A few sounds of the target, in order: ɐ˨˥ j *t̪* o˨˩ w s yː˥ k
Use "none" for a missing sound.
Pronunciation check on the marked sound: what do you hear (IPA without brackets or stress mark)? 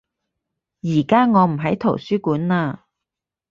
t̪ʰ